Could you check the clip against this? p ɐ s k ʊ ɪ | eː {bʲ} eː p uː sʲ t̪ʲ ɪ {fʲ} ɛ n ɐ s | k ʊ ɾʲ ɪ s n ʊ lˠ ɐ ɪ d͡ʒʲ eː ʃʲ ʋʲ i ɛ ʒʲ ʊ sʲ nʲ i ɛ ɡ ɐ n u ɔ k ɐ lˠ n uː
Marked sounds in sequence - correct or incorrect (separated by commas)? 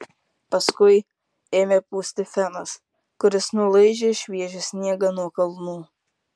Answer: incorrect, correct